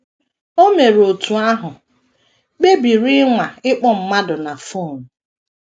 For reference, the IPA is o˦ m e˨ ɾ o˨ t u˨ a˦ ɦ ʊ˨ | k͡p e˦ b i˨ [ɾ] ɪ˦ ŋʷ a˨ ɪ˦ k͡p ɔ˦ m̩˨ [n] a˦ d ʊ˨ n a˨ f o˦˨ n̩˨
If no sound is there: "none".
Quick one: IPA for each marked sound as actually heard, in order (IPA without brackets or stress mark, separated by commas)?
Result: ɾ, m